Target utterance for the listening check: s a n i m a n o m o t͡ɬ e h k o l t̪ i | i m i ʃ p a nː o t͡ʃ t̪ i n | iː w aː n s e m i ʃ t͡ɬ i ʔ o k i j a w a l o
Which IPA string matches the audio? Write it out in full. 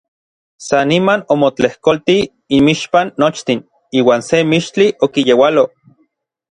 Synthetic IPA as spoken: s a n i m a n o m o t͡ɬ e h k o l t̪ i | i m i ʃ p a nː o t͡ʃ t̪ i n | iː w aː n s e m i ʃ t͡ɬ i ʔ o k i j e w a l o